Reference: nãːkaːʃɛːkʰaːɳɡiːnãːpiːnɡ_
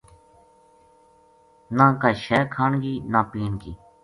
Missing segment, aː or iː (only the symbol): iː